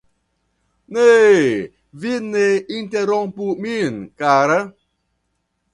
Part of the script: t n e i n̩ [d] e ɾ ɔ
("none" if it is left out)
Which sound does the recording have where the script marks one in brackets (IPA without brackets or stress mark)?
t